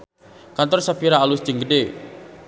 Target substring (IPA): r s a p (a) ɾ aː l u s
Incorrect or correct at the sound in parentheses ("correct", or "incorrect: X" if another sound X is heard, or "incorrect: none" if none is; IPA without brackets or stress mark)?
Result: incorrect: i